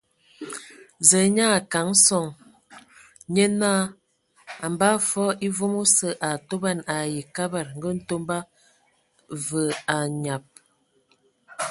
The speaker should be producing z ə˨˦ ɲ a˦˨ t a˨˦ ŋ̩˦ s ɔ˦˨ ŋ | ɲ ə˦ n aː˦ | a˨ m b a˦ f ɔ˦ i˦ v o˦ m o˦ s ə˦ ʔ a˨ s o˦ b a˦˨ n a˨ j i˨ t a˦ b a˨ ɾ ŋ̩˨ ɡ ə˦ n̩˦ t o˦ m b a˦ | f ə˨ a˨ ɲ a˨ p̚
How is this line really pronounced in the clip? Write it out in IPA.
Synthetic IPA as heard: z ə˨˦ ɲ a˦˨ k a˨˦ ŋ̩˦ s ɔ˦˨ ŋ | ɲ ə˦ n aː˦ | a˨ m b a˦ f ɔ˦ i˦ v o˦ m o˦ s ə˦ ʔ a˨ t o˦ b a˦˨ n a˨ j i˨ k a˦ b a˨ ɾ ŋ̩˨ ɡ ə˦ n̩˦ t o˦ m b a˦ | v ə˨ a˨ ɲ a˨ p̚